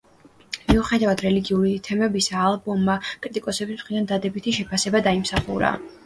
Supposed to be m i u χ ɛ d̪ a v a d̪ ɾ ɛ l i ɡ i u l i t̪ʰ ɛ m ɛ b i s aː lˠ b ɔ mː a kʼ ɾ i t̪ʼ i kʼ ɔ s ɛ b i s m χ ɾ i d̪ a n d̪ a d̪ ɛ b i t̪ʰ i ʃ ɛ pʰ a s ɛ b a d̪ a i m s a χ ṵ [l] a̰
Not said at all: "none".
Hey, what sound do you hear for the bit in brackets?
ɾ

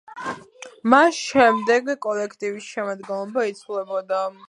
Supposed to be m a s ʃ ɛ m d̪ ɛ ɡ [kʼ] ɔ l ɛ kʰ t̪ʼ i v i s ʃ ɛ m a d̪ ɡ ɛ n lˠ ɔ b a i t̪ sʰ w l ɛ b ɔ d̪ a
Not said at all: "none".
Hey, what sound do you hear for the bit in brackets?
kʼ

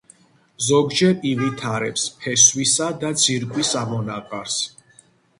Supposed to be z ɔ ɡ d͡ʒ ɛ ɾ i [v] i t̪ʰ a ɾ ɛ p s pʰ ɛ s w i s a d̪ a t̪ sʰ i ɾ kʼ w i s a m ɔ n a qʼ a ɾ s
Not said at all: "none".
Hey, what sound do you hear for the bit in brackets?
v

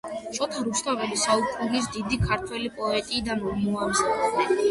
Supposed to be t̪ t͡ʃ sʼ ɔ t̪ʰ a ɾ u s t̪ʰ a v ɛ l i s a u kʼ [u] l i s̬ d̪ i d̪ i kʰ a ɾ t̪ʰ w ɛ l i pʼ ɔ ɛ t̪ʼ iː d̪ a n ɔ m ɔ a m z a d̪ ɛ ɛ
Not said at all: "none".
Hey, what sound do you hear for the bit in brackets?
u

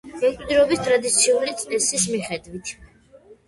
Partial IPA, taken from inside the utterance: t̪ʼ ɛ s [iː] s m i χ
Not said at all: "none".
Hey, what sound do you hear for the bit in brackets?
i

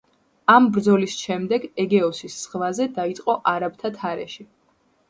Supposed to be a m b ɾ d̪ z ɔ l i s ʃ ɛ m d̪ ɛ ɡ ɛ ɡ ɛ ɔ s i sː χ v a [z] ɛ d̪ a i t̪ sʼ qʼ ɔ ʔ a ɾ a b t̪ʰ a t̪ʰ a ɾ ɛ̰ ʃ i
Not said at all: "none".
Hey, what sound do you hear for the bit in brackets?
z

